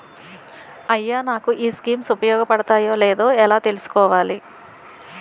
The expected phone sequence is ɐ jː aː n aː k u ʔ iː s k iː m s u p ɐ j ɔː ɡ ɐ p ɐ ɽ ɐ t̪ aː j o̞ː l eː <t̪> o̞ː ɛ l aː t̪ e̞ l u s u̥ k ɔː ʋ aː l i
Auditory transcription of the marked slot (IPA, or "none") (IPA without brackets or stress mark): d̪